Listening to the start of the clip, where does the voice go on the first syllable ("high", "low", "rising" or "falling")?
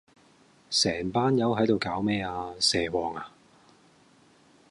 low